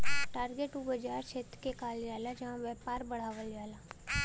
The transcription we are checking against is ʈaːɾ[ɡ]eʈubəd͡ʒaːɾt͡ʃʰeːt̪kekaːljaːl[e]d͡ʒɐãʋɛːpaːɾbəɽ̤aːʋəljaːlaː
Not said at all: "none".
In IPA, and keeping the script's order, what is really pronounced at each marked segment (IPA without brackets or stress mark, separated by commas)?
ɡ, a